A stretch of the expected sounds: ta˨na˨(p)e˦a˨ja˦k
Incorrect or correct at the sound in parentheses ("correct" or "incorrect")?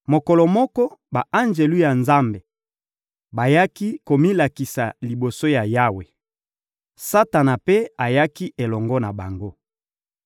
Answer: correct